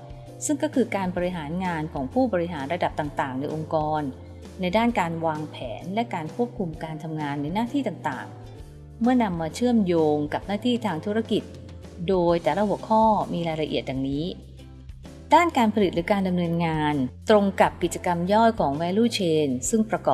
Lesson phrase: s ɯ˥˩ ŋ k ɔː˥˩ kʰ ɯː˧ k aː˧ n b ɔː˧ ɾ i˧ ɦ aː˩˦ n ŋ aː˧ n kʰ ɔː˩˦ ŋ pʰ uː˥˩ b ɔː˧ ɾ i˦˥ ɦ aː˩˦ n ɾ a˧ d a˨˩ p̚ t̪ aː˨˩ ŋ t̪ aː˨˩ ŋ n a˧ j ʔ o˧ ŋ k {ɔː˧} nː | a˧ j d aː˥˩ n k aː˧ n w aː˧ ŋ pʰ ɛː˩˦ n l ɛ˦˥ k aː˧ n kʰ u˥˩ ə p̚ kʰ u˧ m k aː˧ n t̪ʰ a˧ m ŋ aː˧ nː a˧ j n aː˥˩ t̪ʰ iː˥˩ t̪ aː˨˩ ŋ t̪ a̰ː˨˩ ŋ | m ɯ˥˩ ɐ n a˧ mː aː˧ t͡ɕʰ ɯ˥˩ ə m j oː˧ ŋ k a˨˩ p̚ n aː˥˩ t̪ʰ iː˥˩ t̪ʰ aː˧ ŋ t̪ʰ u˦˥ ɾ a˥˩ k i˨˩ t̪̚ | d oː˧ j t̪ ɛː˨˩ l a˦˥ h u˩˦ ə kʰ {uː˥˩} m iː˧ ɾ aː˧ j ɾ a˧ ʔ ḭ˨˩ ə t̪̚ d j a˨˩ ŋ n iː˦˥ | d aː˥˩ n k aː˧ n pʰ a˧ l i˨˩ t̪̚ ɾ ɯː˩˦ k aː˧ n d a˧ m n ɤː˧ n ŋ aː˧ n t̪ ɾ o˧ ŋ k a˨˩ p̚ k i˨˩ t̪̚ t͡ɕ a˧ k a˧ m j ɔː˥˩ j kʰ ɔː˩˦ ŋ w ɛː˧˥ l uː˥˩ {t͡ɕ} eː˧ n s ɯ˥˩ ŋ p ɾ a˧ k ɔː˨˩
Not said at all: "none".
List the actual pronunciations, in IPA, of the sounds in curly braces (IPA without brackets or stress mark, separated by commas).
ɔː˧, ɔː˥˩, t͡ɕʰ